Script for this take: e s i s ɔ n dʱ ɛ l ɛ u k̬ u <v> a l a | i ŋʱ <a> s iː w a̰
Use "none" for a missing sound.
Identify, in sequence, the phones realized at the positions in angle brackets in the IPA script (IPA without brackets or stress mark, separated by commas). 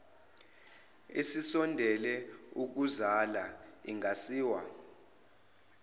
z, a